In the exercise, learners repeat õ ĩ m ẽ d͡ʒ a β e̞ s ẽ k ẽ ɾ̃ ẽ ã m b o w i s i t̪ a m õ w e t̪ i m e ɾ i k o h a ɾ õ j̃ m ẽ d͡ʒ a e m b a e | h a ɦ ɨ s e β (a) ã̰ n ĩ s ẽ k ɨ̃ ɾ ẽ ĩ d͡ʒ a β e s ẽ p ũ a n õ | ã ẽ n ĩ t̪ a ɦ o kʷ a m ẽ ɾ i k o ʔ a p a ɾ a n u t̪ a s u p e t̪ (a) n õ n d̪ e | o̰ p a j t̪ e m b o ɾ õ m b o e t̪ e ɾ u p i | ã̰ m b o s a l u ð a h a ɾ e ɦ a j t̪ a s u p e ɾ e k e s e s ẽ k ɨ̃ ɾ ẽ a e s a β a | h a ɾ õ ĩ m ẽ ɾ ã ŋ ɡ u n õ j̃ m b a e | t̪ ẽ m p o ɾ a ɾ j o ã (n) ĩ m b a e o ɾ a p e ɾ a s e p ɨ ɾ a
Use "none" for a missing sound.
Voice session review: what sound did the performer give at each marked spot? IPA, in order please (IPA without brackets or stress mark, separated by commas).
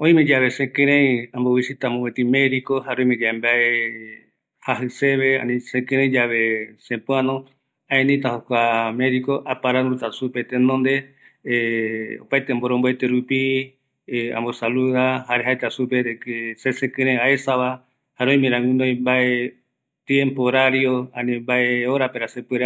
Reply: e, e, n